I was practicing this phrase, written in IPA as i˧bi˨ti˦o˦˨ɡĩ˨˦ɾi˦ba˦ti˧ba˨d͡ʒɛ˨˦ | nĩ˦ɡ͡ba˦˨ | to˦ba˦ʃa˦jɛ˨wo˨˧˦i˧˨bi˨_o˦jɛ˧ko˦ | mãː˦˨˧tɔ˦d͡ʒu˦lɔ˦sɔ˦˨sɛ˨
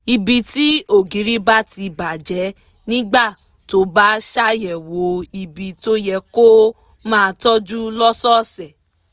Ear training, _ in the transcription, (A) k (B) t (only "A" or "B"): B